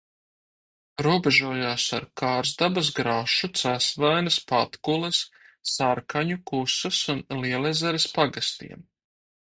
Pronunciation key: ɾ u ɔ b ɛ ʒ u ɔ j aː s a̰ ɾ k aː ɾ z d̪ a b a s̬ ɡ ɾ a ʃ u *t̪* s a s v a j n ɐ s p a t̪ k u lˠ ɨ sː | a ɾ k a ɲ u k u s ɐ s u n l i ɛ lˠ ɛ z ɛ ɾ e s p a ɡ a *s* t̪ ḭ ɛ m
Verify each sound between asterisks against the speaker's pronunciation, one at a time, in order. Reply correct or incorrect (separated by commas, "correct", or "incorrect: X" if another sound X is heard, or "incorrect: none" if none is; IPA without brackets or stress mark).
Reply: correct, correct